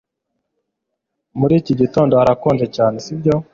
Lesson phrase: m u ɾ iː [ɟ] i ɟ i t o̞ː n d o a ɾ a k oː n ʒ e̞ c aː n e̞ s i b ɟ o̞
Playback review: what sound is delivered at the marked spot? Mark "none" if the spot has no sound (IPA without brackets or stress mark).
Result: c